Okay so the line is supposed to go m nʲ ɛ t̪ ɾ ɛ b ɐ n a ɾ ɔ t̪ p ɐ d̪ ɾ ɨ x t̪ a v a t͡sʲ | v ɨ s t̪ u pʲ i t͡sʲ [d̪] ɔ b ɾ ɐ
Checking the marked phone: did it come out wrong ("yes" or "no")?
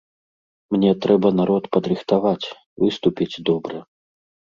no